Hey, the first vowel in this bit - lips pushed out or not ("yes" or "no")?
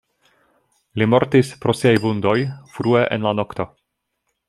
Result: no